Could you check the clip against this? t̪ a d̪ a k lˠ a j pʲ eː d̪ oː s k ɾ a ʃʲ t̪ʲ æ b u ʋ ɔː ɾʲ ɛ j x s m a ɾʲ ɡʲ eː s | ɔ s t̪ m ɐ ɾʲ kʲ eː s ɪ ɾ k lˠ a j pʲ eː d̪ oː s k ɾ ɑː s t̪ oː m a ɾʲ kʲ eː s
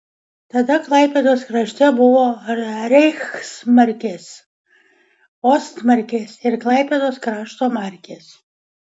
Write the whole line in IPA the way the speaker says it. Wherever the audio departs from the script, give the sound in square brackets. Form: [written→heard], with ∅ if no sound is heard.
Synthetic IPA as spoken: t̪ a d̪ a k lˠ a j pʲ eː d̪ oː s k ɾ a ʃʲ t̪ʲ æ b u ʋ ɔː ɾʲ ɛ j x s m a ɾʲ [ɡʲ→kʲ] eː s | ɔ s t̪ m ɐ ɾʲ kʲ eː s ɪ ɾ k lˠ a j pʲ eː d̪ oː s k ɾ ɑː [s→ʃ] t̪ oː m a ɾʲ kʲ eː s